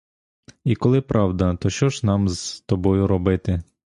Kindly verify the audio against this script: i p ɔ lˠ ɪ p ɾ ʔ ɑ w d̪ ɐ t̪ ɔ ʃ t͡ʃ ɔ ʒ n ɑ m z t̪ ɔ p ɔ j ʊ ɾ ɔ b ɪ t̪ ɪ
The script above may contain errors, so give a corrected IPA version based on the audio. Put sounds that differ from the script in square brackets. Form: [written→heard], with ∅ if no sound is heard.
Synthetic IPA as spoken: i [p→k] ɔ lˠ ɪ p ɾ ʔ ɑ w d̪ ɐ t̪ ɔ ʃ t͡ʃ ɔ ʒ n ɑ m z t̪ ɔ [p→b] ɔ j ʊ ɾ ɔ b ɪ t̪ ɪ